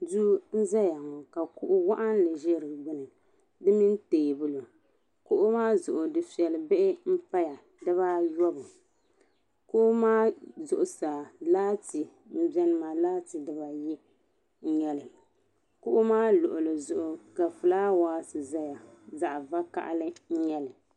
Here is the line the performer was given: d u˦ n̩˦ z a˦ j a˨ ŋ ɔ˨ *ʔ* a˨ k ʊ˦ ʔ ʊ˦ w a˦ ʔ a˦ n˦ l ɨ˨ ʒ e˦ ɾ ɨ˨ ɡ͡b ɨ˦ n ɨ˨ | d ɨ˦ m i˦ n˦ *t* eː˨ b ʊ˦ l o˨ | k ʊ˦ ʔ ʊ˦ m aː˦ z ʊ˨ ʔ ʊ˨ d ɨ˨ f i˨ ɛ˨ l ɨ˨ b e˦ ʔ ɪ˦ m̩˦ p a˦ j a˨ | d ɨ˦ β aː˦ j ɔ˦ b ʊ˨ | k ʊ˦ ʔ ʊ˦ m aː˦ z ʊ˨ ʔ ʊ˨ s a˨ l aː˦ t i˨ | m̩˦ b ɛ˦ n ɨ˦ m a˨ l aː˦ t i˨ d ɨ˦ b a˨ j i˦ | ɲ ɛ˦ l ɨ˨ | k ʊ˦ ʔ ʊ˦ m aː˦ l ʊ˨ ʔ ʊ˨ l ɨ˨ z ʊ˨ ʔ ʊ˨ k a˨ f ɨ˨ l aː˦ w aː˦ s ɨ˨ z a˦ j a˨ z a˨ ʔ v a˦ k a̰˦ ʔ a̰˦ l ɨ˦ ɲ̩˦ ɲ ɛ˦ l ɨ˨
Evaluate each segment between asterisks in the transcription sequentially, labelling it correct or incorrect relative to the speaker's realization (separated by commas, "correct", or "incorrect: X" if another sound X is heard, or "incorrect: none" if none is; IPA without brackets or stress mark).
incorrect: k, correct